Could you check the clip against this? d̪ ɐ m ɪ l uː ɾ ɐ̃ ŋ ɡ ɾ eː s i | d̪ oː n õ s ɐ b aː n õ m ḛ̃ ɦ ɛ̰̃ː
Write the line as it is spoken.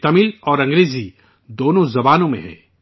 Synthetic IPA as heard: t̪ ɐ m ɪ l ɔː ɾ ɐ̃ ŋ ɡ ɾ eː z i | d̪ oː n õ z ɐ b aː n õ m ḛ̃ ɦ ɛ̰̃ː